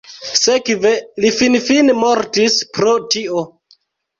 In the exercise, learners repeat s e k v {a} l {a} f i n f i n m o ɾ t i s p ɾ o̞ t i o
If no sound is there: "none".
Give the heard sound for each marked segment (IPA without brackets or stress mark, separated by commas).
e, i